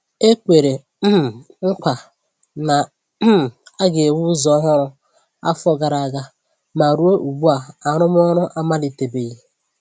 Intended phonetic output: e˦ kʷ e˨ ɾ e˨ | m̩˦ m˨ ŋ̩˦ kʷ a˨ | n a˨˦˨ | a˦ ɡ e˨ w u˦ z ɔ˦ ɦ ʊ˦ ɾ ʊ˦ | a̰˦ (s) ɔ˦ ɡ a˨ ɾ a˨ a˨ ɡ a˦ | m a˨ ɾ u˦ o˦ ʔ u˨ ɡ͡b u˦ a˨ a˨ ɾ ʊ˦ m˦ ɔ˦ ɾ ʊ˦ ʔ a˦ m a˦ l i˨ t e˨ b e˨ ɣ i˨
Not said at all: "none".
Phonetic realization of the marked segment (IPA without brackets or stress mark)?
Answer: f